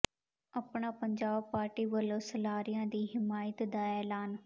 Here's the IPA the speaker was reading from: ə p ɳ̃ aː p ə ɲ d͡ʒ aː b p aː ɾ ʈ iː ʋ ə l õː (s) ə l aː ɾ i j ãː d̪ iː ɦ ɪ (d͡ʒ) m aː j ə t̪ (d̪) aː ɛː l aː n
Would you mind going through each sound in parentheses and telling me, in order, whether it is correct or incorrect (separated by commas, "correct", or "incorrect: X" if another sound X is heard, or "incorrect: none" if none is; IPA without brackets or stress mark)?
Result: correct, incorrect: none, correct